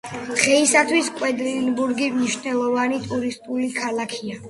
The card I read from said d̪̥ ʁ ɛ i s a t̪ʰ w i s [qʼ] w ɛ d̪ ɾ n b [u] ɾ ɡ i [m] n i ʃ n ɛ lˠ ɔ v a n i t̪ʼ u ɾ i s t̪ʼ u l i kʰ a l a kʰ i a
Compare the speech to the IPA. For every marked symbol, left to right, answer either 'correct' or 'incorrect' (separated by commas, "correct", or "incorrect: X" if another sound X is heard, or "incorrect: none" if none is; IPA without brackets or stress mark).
incorrect: kʼ, correct, correct